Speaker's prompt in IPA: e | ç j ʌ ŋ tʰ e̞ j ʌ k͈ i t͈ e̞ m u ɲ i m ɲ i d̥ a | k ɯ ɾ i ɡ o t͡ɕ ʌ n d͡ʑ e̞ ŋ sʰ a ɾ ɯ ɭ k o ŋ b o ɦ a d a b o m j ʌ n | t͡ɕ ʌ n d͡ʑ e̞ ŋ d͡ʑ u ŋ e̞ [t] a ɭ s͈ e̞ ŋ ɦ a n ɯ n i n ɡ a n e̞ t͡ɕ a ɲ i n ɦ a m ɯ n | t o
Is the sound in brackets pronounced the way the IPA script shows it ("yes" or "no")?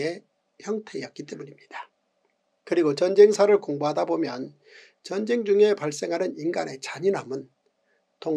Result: no